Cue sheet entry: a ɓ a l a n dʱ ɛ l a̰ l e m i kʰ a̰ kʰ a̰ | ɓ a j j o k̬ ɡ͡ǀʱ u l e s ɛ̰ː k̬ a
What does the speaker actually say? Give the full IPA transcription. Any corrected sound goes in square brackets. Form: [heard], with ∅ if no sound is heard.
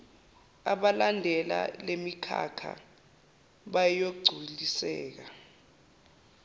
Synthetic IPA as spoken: a ɓ a l a n dʱ ɛ l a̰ l e m i kʰ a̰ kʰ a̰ | ɓ a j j o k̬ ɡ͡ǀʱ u l [i] s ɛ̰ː k̬ a